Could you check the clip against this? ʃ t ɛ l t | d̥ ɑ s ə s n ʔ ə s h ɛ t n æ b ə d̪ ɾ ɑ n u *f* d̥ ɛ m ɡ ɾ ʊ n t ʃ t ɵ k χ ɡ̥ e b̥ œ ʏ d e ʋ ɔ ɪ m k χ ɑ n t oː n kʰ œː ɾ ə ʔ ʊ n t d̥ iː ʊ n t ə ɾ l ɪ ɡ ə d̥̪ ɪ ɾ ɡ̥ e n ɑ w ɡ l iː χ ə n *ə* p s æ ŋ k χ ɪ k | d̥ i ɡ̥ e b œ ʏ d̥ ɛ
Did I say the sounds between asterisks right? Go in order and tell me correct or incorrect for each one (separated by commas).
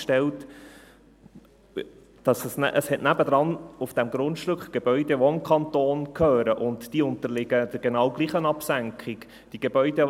correct, incorrect